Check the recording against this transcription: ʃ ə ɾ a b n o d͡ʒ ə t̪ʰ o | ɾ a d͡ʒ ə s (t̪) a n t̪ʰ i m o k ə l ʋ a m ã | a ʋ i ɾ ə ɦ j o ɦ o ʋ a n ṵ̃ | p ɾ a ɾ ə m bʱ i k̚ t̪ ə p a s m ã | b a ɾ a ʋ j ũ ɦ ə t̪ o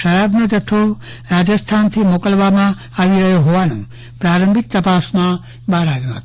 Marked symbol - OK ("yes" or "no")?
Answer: no